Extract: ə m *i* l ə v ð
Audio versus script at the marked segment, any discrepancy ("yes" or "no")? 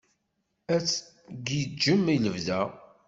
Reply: no